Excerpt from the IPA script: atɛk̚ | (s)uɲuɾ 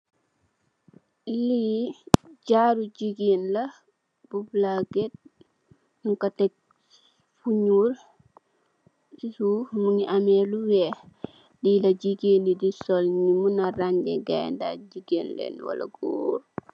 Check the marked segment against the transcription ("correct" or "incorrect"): incorrect